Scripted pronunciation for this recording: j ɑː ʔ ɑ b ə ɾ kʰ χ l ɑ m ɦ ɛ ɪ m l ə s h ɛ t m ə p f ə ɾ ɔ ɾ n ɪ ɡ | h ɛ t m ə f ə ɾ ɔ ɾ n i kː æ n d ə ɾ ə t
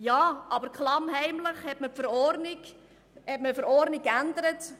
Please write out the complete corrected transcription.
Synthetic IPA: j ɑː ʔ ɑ b ə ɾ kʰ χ l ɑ m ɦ ɛ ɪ m l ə χ h ɛ t m ə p f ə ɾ ɔ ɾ n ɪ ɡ | h ɛ t m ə f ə ɾ ɔ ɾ n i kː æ n d ə ɾ ə t